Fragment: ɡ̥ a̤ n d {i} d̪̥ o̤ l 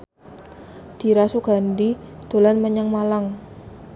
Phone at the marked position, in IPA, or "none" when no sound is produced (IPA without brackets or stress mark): i